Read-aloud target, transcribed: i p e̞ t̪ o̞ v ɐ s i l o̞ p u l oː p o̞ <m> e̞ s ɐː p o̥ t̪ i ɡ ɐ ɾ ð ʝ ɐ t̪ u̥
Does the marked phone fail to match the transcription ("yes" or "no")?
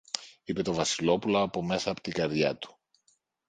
no